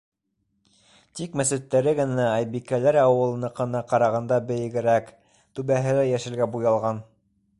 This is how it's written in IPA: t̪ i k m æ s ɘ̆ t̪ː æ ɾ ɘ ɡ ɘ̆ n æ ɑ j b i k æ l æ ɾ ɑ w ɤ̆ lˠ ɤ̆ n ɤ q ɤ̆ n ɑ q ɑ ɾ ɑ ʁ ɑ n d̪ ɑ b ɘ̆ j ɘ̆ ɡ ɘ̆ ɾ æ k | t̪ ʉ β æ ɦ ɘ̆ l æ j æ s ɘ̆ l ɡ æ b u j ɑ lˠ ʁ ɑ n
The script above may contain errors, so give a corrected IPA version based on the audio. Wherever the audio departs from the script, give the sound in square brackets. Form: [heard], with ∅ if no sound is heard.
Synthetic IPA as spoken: t̪ i k m æ s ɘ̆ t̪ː æ ɾ ɘ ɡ ɘ̆ n æ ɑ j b i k æ l æ ɾ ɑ w ɤ̆ lˠ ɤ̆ n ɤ q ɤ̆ n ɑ q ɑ ɾ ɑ ʁ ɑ n d̪ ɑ b ɘ̆ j ɘ̆ ɡ ɘ̆ ɾ æ k | t̪ ʉ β æ ɦ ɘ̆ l æ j æ [ʃ] ɘ̆ l ɡ æ b u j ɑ lˠ ʁ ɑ n